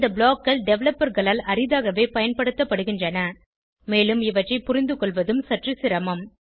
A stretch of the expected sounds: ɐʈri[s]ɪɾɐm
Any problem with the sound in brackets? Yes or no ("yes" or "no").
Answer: no